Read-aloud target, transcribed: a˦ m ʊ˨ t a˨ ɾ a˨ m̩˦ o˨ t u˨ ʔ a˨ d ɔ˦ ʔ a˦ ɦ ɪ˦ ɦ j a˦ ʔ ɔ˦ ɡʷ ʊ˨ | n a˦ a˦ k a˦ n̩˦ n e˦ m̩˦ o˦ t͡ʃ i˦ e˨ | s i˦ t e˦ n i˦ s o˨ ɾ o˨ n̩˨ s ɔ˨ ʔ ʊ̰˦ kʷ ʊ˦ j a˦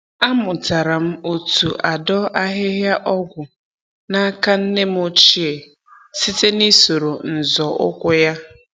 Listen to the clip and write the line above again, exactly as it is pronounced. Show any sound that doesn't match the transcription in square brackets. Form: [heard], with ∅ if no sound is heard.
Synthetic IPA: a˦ m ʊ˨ t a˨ ɾ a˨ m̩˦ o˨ t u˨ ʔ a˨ d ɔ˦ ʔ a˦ ɦ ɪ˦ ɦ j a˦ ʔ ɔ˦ ɡʷ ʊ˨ | n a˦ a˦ k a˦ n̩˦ n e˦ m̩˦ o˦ t͡ʃ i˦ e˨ | s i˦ t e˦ n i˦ s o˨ ɾ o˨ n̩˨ [z] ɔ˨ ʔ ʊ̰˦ kʷ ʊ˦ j a˦